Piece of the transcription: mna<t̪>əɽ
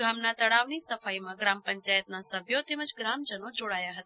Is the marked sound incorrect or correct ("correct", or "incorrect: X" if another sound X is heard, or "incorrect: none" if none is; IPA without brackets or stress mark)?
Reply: correct